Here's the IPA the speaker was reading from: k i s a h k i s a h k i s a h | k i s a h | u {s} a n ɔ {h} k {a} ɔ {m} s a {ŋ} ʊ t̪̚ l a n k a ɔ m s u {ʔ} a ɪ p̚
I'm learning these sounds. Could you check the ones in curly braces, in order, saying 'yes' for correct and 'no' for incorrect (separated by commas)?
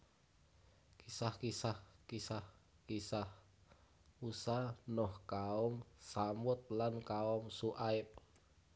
yes, yes, yes, yes, no, yes